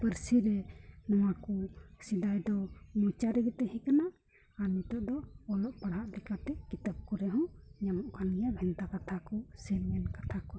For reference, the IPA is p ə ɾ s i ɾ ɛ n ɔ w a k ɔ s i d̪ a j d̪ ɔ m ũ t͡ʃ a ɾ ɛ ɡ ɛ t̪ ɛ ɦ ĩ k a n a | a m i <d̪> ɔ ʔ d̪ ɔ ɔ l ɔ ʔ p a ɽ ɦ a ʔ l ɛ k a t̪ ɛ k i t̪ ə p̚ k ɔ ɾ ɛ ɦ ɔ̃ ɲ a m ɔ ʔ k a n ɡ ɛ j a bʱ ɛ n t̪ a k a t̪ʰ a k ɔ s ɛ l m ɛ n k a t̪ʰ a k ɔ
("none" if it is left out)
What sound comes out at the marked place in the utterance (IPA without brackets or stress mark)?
t̪